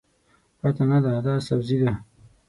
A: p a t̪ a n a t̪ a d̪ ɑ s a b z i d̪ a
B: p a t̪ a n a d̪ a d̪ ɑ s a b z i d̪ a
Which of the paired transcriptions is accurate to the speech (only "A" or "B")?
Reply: B